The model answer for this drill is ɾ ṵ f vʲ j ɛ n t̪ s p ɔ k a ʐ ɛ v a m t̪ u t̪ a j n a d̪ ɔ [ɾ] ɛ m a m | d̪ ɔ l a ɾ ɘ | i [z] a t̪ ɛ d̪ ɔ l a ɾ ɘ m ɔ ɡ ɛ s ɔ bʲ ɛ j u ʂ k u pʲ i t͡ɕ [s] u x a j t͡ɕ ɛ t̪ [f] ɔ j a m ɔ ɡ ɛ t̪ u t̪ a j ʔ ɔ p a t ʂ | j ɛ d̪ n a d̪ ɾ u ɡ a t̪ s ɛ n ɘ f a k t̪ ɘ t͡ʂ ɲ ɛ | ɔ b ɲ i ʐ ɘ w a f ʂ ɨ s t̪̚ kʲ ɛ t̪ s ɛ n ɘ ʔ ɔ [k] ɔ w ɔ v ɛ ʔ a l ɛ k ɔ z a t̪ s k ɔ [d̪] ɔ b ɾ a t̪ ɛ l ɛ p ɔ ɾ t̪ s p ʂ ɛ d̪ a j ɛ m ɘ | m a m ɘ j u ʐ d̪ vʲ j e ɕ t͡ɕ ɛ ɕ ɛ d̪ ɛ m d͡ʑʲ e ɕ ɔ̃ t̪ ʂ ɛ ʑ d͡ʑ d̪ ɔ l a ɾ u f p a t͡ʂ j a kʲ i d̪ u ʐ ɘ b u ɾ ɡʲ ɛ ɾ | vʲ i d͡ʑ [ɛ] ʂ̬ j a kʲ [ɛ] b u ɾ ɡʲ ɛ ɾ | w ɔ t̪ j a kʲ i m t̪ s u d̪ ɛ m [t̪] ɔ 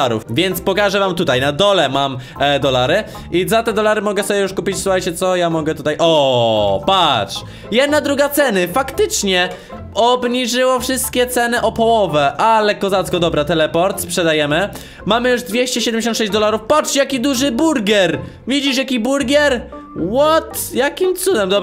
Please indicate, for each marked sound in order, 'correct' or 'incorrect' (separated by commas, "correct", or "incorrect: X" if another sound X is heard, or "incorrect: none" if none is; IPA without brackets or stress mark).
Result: incorrect: l, correct, correct, incorrect: s, incorrect: p, correct, incorrect: i, incorrect: i, incorrect: d̪